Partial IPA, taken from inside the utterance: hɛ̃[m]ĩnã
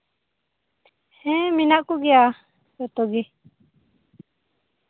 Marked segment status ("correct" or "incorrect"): correct